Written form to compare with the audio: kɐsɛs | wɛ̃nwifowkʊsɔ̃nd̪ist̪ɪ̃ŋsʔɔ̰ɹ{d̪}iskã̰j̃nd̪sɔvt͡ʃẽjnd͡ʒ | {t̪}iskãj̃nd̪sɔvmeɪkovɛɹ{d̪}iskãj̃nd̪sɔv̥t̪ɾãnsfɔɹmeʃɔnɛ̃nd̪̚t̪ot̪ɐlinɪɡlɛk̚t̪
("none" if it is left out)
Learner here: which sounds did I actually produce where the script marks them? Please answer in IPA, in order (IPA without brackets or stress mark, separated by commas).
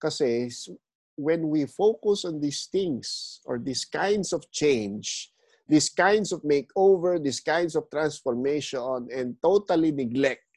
d̪, d̪, d̪